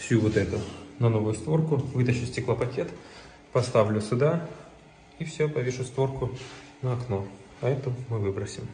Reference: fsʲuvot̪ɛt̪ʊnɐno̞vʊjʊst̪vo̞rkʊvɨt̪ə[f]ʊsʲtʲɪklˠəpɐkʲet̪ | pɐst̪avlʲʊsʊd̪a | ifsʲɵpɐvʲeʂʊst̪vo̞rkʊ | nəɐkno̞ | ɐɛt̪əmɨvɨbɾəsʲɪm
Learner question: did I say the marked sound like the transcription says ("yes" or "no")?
no